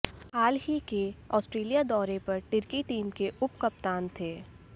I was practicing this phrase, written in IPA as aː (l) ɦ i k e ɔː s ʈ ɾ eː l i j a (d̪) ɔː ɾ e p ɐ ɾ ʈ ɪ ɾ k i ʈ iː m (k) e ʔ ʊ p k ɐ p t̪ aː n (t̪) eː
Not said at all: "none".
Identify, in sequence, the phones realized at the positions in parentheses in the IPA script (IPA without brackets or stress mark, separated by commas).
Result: l, d̪, k, t̪ʰ